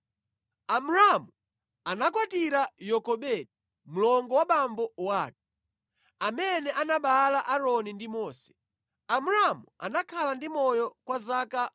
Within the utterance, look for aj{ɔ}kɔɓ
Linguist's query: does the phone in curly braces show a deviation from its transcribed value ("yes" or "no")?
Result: no